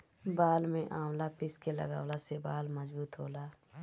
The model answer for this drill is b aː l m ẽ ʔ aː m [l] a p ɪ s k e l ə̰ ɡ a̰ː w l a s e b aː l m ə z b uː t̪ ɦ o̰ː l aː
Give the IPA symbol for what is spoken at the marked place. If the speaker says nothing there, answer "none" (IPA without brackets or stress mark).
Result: l